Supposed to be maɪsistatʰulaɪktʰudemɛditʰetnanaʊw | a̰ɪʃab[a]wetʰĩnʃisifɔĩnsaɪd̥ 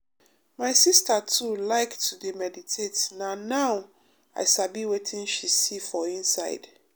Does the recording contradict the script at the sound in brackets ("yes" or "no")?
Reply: yes